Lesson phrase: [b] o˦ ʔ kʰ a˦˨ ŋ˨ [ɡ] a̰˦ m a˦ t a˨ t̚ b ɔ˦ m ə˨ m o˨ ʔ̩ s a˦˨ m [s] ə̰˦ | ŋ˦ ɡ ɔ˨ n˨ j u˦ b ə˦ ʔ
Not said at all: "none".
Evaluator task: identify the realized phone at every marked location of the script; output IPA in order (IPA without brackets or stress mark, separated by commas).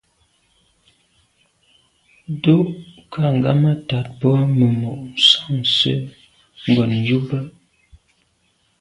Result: d, ɡ, s